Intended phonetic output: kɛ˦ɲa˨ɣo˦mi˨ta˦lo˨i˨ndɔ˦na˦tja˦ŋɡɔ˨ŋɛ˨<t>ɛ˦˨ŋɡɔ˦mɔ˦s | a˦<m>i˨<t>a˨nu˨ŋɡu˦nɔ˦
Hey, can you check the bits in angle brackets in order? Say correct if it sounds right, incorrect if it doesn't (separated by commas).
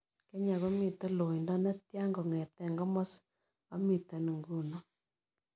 correct, correct, correct